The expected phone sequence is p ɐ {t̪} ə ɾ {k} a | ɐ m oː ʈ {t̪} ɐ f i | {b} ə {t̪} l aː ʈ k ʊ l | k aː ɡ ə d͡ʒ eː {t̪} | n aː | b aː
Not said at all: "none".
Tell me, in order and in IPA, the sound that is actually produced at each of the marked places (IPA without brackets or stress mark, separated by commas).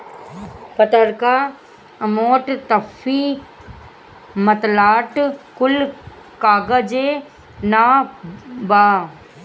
t̪, k, t̪, m, t̪, none